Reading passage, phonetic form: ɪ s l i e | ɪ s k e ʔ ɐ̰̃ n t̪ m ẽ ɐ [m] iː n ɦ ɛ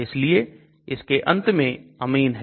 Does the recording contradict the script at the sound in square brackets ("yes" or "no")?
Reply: no